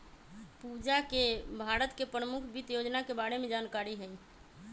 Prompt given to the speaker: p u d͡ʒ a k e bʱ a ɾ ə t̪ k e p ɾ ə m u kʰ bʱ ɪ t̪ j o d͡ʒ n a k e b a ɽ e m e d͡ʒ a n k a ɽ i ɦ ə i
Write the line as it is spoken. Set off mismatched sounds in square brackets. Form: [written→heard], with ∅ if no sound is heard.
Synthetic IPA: p u d͡ʒ a k e bʱ a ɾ ə t̪ k e p ɾ ə m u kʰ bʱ [ɪ→i] t̪ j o d͡ʒ n a k e b a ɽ e m e d͡ʒ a n k a [ɽ→ɾ] i ɦ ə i